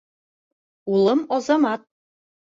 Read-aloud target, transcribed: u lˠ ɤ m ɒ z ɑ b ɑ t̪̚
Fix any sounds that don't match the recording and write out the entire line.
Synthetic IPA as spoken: u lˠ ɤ m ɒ z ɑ m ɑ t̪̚